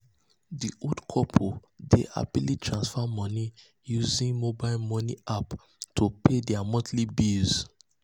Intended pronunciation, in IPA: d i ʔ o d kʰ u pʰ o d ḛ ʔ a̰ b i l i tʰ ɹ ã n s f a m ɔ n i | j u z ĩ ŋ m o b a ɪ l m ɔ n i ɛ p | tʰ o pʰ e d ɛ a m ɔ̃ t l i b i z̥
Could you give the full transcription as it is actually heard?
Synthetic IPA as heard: d i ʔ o d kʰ ɔ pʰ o d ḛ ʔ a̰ b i l i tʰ ɹ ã n s f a m ɔ n i | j u z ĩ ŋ m o b a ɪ l m ɔ n i a p | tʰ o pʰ e d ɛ a m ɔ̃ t l i b i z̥